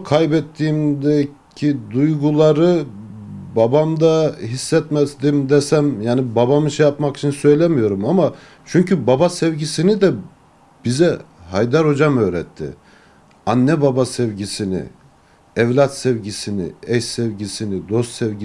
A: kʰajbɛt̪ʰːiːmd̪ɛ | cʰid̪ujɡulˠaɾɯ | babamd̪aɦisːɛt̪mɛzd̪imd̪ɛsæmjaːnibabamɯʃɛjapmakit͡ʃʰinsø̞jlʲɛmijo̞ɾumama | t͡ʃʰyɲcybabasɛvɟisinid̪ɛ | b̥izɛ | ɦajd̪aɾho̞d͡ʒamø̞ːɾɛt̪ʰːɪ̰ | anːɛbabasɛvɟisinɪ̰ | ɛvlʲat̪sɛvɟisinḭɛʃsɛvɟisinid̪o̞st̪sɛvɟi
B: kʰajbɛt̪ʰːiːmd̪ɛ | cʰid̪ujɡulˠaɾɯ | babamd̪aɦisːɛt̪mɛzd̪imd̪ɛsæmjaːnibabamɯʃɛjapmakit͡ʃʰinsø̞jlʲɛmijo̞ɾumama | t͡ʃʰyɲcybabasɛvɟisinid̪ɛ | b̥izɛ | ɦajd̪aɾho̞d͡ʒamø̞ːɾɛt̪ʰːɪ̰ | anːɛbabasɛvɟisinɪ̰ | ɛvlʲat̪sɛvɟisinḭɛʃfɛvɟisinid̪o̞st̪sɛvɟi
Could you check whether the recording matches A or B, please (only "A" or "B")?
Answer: A